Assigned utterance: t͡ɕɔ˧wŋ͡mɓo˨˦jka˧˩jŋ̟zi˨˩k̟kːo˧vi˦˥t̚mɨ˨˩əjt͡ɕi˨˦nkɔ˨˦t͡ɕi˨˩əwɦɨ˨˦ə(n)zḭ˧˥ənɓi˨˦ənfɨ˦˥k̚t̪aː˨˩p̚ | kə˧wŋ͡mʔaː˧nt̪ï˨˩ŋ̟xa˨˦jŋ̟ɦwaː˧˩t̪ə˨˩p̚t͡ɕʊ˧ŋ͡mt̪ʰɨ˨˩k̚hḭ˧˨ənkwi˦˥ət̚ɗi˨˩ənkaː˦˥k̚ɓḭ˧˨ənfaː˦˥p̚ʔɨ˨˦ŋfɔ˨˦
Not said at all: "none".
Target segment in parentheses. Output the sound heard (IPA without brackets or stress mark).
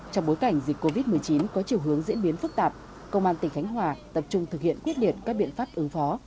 ŋ